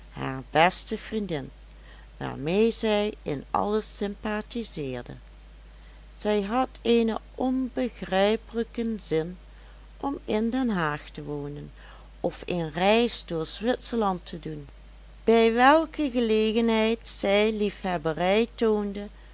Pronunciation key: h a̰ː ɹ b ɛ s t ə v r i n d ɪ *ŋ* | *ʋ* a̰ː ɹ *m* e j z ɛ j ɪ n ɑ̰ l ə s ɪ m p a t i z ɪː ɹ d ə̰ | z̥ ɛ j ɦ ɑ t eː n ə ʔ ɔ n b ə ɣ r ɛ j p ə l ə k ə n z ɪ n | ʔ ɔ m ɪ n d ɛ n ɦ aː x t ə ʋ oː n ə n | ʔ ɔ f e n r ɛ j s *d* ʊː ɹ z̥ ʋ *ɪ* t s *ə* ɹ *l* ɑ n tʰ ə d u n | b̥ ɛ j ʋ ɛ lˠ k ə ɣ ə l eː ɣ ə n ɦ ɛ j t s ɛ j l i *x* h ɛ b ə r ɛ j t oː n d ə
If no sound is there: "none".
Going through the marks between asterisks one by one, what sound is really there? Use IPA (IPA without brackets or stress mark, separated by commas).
n, ʋ, m, d, ɪ, ə, l, f